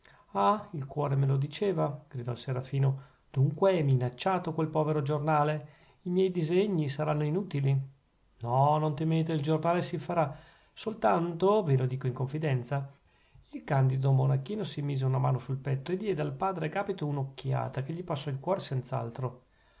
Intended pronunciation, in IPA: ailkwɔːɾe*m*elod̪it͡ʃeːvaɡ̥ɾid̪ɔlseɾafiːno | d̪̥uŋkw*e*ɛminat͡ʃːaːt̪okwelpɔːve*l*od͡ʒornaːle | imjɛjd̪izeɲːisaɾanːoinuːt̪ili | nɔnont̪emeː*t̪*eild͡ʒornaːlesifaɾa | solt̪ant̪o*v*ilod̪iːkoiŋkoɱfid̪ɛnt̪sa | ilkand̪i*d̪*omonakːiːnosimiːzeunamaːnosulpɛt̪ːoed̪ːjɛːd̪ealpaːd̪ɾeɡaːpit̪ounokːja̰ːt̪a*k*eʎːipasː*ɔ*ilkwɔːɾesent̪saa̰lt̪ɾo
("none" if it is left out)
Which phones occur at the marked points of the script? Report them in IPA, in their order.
m, e, ɾ, t̪, v, d̪, k, ɔ

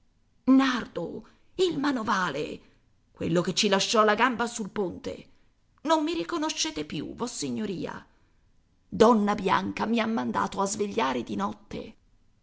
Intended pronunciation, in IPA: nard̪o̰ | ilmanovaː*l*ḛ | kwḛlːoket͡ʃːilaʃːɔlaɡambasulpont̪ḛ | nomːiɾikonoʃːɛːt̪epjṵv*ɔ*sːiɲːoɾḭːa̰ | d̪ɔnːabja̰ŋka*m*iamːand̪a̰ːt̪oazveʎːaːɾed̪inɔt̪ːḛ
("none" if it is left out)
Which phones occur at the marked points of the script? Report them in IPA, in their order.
l, ɔ, m

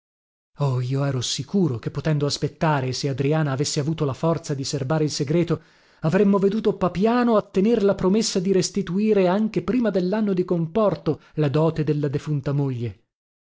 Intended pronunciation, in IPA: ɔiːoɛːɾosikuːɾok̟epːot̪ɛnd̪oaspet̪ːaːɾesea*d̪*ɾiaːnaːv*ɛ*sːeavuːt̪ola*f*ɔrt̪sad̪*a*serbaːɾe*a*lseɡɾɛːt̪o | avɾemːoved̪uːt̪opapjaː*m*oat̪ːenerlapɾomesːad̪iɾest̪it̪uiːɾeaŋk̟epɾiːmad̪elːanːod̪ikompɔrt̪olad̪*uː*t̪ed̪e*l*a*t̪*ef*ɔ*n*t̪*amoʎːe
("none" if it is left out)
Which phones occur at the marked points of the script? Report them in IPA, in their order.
d̪, e, f, i, i, n, ɔː, lː, d̪, u, t̪

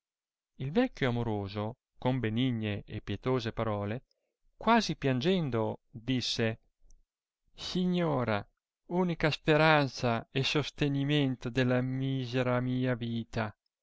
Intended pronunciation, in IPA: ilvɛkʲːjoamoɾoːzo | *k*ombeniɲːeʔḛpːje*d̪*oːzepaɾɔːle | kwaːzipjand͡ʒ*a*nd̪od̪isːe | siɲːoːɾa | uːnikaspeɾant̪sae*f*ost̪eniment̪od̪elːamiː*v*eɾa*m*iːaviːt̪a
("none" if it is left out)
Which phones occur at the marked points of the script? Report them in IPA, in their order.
k, t̪, ɛ, s, z, m

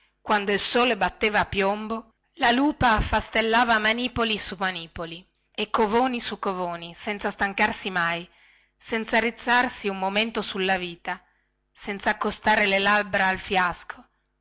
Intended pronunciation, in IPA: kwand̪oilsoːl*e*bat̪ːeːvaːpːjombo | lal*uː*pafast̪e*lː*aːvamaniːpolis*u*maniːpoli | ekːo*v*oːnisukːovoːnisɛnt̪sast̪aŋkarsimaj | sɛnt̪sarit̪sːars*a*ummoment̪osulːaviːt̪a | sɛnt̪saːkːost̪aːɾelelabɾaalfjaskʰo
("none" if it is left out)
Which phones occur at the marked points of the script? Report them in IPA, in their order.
e, uː, lː, u, v, i

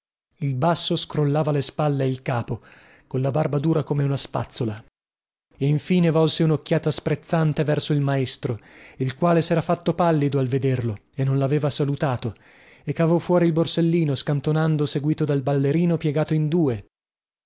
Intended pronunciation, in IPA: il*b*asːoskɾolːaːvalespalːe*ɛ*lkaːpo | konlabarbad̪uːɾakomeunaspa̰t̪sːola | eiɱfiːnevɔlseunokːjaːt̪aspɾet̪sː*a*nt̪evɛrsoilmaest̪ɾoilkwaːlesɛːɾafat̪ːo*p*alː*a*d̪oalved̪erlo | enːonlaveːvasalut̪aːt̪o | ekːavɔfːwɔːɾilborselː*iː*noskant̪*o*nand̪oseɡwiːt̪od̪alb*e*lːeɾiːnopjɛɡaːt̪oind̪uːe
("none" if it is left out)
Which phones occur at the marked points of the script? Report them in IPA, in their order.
b, i, a, p, i, iː, o, a

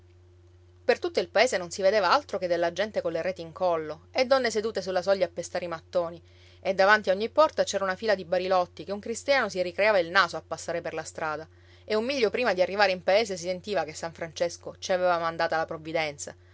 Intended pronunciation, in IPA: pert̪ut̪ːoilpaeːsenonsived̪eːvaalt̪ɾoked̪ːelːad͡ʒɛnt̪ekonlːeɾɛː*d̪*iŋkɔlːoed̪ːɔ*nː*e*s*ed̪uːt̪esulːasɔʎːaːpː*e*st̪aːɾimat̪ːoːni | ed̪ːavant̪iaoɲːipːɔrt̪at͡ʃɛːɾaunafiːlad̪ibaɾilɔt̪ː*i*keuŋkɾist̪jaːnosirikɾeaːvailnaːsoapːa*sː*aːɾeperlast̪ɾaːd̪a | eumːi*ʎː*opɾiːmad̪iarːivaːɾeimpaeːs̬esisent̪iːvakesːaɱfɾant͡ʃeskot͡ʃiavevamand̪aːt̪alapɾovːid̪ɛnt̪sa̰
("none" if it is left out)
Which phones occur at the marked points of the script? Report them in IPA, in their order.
t̪, nː, s, e, i, sː, ʎː

